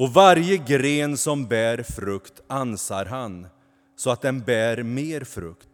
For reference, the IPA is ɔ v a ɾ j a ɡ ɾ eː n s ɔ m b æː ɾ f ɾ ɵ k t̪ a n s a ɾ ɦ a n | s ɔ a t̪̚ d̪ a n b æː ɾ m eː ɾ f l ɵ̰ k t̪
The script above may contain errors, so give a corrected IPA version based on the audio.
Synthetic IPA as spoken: ɔ v a ɾ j ə ɡ ɾ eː n s ɔ m b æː ɾ f ɾ ɵ k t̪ a n s a ɾ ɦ a n | s ɔ a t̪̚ d̪ ɛ n b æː ɾ m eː ɾ f ɾ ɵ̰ k t̪